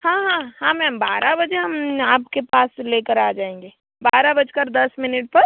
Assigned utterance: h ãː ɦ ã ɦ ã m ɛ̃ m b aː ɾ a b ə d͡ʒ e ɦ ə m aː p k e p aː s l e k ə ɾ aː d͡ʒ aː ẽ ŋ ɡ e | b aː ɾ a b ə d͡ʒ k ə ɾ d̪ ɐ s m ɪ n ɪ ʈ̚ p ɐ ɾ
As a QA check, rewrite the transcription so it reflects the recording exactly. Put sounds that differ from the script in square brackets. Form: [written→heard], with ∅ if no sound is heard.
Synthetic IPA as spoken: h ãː ɦ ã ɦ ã m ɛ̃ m b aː ɾ a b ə d͡ʒ e ɦ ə m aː p k e p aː s l e k ə ɾ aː d͡ʒ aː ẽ ŋ ɡ e | b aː ɾ a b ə d͡ʒ k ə ɾ d̪ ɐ s m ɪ n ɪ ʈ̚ p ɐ ɾ